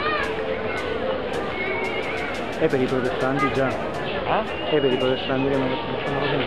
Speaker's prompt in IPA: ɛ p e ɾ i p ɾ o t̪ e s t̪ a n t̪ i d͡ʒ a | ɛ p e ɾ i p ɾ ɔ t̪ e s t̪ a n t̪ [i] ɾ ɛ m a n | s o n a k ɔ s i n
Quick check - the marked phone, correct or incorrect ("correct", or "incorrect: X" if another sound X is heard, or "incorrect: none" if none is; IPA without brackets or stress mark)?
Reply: correct